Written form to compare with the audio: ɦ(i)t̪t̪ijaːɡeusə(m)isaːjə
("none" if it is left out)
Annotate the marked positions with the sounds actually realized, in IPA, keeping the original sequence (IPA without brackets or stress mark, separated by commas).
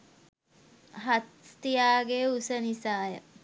a, n